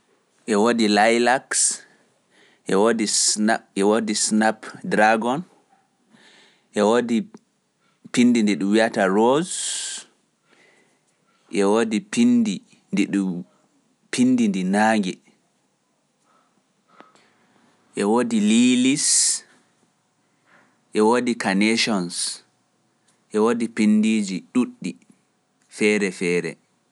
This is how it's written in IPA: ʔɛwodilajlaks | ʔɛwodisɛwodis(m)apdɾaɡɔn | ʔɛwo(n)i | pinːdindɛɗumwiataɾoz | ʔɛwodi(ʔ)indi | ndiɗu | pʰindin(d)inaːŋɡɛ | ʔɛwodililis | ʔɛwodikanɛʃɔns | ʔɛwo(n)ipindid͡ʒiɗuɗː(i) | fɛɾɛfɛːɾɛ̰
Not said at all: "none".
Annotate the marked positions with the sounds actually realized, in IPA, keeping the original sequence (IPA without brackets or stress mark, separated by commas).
n, d, p, d, d, i